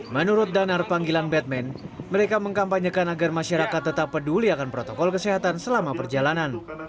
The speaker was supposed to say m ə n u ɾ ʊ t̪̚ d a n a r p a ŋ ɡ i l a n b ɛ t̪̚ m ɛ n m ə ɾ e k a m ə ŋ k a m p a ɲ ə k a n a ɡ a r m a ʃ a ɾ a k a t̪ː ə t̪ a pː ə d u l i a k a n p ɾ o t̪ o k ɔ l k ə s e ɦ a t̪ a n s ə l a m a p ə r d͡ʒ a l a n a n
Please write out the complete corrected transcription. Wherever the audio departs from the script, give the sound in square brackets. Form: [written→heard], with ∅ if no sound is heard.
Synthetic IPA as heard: m ə n u ɾ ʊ t̪̚ d a n a r p a ŋ ɡ i l a n b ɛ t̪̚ m ɛ n m ə ɾ e k a m ə ŋ k a m p a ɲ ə k a n a ɡ a r m a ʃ a ɾ a k a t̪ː ə t̪ a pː ə d u l i a k a n p ɾ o t̪ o k ɔ l k ə s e ɦ a t̪ a n s ə l a m a p ə r d͡ʒ a l a n a n